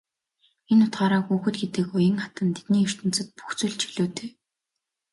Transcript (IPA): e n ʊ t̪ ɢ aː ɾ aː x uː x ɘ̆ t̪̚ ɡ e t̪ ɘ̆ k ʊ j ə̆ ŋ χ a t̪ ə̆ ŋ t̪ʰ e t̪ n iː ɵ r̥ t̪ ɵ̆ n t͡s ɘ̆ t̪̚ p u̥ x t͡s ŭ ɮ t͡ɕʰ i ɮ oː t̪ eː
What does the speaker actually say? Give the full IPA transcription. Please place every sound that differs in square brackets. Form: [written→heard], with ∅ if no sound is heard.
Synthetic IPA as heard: e n ʊ t̪ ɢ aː ɾ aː x uː x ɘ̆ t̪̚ ɡ e t̪ ɘ̆ k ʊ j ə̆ ŋ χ a t̪ ə̆ [ŋ→n] t̪ʰ e t̪ n iː ɵ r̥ t̪ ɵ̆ n t͡s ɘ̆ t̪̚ p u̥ x t͡s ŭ ɮ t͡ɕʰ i ɮ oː t̪ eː